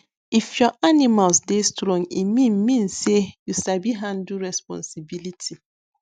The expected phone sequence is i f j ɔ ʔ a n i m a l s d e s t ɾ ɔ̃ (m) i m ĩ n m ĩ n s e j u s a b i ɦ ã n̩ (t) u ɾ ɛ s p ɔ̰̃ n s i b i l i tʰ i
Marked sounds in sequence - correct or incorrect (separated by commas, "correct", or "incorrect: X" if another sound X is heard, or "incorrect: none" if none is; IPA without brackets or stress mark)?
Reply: incorrect: ŋ, incorrect: d